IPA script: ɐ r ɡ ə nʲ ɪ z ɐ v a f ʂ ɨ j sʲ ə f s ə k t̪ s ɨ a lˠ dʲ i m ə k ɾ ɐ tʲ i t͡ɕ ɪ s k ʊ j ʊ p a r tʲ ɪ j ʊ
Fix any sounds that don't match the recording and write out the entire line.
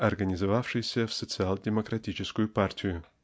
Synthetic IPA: ɐ r ɡ ə nʲ ɪ z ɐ v a f ʂ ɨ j sʲ ə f s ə t̪ s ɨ a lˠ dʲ ɪ m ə k ɾ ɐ tʲ i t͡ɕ ɪ s k ʊ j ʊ p a r tʲ ɪ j ʊ